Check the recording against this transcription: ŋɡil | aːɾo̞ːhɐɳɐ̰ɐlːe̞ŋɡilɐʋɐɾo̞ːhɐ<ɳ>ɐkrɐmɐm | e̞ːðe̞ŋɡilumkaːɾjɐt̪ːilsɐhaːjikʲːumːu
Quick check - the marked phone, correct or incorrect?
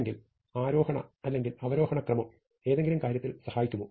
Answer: correct